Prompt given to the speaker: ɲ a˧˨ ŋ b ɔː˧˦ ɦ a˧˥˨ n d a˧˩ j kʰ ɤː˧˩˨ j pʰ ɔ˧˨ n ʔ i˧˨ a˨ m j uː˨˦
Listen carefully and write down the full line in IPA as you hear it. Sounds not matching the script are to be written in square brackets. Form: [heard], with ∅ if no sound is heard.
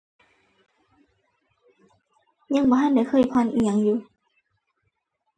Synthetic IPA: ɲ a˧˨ ŋ b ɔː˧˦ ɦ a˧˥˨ n d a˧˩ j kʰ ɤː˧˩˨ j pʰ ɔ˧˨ n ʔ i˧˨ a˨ [ŋ] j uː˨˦